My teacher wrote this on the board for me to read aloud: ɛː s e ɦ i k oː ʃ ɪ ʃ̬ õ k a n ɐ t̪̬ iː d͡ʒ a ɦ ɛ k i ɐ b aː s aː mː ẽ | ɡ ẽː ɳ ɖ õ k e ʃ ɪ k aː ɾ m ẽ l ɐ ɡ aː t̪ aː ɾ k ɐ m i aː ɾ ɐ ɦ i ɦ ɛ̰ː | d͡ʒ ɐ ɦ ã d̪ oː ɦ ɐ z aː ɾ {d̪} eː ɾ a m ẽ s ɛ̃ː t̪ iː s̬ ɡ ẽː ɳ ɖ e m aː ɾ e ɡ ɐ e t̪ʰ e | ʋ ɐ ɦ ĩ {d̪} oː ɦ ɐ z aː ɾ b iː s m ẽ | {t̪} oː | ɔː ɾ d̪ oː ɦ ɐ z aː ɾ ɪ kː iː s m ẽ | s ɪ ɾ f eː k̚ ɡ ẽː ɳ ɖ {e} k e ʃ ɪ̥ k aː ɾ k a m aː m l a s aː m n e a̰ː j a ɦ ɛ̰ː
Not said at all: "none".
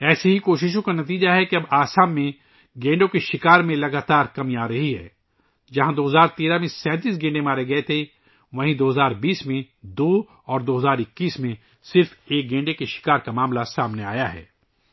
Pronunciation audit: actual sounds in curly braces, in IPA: t̪, d̪, d̪, e

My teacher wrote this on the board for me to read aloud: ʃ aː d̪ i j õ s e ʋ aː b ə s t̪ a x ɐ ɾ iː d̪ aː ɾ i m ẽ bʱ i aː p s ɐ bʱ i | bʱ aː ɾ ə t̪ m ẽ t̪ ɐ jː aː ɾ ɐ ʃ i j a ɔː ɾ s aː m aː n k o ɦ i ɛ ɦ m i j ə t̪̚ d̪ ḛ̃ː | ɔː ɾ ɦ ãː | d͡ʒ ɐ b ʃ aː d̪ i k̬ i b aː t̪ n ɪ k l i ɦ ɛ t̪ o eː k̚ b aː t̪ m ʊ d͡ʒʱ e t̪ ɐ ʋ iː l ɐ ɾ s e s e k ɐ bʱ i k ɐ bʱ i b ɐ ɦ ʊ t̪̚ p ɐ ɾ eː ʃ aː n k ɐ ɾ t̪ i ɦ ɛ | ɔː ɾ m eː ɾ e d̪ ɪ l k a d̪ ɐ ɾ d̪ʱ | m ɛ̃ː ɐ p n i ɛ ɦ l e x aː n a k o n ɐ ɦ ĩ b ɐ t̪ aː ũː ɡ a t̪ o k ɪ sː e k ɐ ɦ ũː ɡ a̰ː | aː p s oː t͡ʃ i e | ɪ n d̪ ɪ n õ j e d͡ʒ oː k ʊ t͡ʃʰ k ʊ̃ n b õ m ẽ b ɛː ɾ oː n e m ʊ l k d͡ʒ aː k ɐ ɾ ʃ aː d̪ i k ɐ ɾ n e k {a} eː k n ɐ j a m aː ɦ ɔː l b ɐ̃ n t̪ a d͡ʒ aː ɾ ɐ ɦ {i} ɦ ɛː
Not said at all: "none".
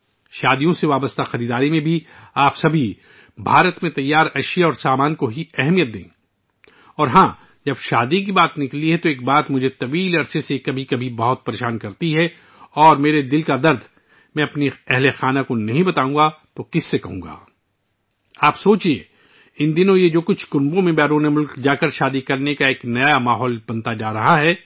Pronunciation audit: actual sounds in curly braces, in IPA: a, a

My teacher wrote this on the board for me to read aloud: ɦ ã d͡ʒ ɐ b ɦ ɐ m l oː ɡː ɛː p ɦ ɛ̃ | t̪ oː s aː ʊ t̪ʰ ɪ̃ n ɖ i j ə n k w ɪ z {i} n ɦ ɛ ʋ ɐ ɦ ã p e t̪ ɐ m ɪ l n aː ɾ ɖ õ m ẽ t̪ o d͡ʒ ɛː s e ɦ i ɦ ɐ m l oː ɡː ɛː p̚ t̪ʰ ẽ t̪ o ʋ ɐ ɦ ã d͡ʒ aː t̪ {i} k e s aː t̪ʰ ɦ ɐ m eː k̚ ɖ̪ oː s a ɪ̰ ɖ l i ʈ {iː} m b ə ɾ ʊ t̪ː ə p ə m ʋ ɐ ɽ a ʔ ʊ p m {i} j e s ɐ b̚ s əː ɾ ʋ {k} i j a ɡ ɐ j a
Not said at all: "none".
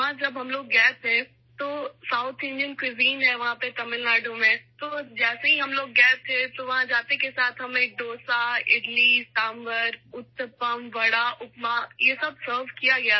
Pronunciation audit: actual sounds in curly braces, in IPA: iː, e, aː, a, k

